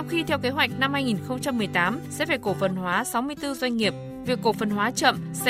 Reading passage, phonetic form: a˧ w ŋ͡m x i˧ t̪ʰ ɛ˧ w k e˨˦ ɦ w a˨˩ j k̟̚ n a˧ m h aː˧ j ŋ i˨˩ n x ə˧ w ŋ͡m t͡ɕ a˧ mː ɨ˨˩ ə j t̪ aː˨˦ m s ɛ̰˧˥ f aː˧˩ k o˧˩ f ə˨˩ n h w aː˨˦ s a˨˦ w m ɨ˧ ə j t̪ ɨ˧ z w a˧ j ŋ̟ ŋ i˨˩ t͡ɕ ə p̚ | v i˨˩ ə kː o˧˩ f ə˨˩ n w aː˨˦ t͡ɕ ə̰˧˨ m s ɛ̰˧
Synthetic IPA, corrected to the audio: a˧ w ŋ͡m x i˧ t̪ʰ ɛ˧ w k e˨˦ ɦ w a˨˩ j k̟̚ n a˧ m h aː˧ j ŋ i˨˩ n x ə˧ w ŋ͡m t͡ɕ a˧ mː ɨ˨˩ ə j t̪ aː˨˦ m s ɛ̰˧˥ f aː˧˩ k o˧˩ f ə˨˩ n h w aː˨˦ s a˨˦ w m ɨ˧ ə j t̪ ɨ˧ z w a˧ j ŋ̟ ŋ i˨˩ ə p̚ | v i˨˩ ə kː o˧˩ f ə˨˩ n w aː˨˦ t͡ɕ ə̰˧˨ m s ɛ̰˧